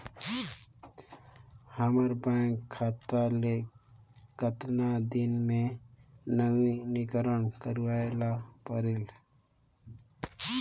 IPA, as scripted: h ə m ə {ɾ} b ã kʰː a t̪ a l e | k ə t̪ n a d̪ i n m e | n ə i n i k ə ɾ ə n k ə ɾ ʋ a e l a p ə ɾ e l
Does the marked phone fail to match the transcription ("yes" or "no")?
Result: no